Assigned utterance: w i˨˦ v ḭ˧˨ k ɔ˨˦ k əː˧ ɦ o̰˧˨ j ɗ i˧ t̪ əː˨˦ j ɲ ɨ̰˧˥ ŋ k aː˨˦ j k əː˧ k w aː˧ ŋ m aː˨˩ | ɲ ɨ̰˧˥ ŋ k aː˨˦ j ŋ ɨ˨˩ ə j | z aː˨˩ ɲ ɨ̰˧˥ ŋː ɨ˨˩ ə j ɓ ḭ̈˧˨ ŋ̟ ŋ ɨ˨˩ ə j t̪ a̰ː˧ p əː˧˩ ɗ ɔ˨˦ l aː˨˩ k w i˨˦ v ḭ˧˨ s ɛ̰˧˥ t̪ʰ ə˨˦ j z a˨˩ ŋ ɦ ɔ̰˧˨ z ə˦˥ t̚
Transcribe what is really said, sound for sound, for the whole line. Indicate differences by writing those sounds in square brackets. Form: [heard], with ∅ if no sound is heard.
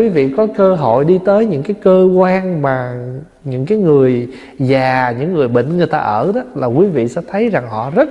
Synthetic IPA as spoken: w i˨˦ v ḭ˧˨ k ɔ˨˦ k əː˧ ɦ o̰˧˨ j ɗ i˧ t̪ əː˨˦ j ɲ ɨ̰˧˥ ŋ k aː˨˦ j k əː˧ k w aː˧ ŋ m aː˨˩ | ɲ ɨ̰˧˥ ŋ k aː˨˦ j ŋ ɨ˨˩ ə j | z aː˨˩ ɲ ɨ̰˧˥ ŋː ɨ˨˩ ə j ɓ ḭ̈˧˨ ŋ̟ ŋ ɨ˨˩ ə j t̪ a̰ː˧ [ʔ] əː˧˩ ɗ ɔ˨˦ l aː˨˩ k w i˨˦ v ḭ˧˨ s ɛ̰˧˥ t̪ʰ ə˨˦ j z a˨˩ ŋ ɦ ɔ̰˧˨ z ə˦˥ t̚